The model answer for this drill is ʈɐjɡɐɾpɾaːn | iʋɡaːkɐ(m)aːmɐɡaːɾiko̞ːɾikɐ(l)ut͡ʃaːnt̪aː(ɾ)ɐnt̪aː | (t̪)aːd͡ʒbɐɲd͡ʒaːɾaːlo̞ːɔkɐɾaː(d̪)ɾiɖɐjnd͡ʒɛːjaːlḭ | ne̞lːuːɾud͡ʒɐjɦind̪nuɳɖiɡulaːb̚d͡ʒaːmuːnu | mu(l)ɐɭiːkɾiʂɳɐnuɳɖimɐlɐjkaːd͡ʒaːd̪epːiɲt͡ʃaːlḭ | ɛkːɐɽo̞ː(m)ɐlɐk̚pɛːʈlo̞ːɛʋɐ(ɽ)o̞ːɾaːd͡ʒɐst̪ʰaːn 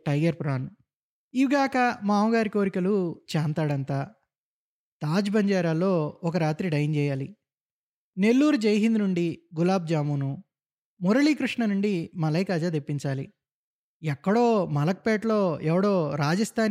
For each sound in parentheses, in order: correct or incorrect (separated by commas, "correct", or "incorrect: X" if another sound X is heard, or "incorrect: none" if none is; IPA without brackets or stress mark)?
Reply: correct, correct, incorrect: ɽ, correct, incorrect: t̪, incorrect: ɾ, correct, correct